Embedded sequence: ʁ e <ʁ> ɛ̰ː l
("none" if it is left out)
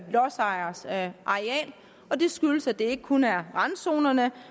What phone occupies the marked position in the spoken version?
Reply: none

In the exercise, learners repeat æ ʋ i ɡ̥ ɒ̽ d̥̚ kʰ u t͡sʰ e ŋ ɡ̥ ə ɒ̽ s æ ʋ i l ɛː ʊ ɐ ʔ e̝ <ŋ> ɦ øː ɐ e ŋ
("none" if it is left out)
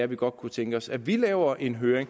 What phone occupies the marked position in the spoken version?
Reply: n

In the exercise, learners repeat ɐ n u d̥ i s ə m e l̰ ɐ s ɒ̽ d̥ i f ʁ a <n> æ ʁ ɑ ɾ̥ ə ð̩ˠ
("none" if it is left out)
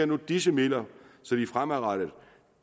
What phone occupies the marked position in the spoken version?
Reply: m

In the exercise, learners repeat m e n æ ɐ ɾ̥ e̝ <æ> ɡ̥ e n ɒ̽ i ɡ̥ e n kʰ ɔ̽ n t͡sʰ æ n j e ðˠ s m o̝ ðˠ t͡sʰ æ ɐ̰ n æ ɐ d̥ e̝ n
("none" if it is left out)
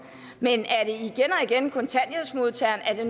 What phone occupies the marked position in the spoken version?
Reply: i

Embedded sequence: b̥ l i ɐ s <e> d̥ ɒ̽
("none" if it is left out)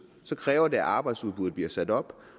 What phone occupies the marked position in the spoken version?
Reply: æ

